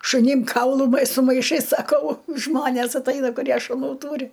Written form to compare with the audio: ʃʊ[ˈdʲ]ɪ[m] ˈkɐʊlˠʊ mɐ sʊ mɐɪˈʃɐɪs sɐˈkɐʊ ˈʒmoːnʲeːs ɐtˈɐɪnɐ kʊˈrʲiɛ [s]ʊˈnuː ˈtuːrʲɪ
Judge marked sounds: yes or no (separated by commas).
no, yes, no